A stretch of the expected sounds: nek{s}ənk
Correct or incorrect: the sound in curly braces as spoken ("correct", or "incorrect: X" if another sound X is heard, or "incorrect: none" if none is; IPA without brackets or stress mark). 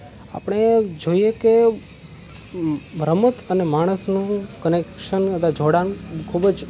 incorrect: ʃ